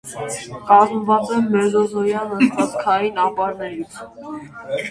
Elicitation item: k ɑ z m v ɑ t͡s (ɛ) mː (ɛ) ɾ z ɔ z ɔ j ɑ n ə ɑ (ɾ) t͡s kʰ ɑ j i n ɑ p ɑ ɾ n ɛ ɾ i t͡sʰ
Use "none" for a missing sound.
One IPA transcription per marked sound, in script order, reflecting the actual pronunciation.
ɛ, ɛ, none

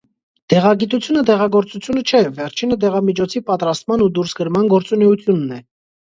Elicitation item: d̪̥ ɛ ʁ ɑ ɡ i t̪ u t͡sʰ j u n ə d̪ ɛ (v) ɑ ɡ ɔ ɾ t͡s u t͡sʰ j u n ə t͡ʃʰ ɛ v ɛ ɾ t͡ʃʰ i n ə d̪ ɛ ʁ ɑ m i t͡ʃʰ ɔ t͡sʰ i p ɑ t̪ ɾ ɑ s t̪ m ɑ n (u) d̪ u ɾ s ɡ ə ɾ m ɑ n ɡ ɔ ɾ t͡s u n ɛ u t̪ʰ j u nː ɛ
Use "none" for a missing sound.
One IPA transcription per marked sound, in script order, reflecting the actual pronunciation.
ʁ, u

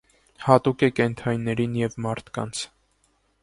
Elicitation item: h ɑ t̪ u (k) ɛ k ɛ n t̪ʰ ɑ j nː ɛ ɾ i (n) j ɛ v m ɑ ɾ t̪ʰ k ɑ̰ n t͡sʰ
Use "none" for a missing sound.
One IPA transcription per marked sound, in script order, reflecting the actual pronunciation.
k, n

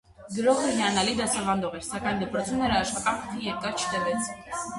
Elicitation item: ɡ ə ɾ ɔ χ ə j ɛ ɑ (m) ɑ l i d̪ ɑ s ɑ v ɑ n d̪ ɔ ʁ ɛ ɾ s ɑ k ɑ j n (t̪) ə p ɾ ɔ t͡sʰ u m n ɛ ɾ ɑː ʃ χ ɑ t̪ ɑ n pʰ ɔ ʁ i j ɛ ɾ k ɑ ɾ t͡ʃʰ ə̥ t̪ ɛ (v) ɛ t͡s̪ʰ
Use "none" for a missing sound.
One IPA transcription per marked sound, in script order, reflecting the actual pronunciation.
n, d̪, v

